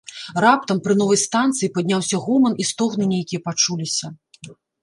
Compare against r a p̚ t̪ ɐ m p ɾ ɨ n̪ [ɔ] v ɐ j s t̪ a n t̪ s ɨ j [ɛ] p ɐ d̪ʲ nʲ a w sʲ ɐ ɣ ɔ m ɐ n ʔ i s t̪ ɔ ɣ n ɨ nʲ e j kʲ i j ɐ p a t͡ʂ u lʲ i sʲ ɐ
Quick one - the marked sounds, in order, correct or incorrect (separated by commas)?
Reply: correct, incorrect